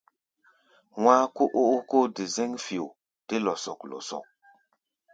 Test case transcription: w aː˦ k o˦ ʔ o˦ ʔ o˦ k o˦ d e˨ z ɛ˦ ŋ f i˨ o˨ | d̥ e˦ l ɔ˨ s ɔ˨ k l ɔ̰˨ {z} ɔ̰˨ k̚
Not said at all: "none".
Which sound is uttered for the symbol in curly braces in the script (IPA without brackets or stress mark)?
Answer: s